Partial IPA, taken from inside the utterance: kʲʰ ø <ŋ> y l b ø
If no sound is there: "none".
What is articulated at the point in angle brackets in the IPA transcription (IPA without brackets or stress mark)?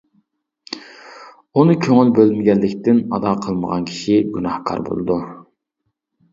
ŋ